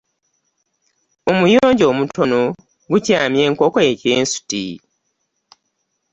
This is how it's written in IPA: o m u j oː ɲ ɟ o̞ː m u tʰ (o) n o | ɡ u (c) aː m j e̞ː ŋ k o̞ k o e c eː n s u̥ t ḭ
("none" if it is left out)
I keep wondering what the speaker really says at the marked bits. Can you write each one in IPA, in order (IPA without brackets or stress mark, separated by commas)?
o, c